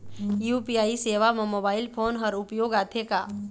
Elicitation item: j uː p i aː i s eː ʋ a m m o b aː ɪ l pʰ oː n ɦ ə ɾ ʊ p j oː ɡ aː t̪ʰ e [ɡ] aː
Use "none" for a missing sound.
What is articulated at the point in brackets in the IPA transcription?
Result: k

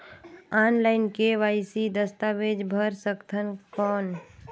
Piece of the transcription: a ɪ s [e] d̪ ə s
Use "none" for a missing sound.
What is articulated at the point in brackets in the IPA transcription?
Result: i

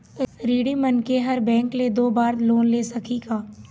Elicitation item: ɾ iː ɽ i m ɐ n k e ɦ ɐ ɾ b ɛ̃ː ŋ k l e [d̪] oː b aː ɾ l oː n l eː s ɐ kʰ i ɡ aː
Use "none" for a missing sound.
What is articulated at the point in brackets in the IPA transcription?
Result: d̪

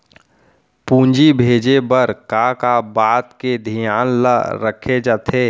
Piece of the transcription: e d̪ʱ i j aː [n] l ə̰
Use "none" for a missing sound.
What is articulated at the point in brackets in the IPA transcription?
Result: n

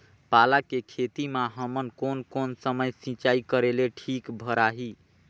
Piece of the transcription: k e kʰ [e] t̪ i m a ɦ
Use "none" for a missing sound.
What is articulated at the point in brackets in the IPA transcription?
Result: e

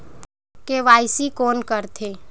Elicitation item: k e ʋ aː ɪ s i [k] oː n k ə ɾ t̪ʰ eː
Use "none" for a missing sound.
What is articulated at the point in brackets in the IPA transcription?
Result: k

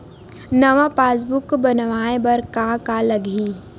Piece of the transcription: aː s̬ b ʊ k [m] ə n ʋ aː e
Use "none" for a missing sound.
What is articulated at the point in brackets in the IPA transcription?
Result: b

